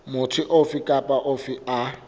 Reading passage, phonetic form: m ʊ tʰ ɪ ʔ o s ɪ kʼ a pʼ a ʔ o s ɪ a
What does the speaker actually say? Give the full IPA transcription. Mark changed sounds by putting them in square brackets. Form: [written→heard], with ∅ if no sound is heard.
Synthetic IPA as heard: m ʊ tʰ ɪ ʔ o [s→f] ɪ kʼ a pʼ a ʔ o [s→f] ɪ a